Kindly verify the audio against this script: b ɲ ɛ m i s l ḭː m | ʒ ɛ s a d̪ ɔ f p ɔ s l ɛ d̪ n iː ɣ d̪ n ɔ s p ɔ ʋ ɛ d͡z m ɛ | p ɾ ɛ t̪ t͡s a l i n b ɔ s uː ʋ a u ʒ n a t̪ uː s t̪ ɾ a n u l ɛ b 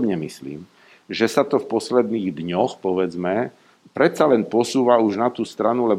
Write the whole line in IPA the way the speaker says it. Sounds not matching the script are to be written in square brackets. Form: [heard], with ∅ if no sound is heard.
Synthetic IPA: b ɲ ɛ m i s l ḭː m | ʒ ɛ s a [t̪] ɔ f p ɔ s l ɛ d̪ n iː ɣ d̪ [ɲ] ɔ [x] p ɔ ʋ ɛ d͡z m ɛ | p ɾ ɛ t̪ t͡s a l [ɛ] n [p] ɔ s uː ʋ a u ʒ n a t̪ uː s t̪ ɾ a n u l ɛ b